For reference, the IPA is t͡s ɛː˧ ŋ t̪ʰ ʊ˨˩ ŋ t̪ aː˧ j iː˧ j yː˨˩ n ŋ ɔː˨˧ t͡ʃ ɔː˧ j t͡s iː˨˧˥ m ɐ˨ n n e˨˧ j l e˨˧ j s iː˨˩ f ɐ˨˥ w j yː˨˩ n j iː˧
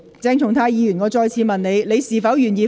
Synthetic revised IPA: t͡s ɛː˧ ŋ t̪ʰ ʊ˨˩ ŋ t̪ʰ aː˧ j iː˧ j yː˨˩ n ŋ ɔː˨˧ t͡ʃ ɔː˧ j t͡sʰ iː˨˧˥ m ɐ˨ n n e˨˧ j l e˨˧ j s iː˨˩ f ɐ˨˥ w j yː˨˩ n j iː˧

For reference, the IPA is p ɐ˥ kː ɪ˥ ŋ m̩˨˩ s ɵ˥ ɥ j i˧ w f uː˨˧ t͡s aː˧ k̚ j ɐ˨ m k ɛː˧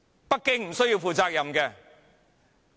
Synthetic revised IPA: p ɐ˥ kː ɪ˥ ŋ m̩˨˩ s ɵ˥ ɥ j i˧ w f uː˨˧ t͡s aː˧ k̚ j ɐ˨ m k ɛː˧

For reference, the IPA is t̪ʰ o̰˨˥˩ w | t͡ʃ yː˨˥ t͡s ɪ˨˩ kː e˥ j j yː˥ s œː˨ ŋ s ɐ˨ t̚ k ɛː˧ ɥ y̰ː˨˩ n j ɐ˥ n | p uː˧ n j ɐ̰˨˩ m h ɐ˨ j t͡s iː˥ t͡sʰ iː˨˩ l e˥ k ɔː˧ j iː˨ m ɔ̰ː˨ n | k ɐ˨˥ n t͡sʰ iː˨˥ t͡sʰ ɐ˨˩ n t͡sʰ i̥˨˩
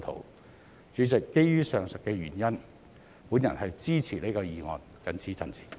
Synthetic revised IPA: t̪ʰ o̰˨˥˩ w | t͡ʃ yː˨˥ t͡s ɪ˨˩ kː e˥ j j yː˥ s œː˨ ŋ s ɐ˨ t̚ k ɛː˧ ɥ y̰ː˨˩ n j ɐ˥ n | p uː˨˥ n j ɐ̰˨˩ n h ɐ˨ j t͡s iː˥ t͡sʰ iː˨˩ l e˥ k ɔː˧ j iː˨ ŋ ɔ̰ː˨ n | k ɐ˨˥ n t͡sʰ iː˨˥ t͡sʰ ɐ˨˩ n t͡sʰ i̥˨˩

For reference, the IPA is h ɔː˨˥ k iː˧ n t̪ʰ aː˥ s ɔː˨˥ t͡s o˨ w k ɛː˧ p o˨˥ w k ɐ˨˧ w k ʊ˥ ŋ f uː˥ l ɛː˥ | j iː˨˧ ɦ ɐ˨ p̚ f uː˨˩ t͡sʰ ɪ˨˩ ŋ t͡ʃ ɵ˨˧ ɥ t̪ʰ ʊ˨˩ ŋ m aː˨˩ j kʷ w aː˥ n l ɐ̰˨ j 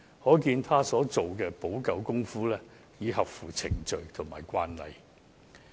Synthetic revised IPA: h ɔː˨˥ k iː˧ n t̪ʰ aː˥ s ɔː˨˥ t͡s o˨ w k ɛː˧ p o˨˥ w k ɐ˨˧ w k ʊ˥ ŋ f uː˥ l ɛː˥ | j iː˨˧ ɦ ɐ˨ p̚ f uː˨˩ t͡sʰ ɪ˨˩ ŋ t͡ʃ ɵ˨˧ ɥ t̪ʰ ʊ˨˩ ŋ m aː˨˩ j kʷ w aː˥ n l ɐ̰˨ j

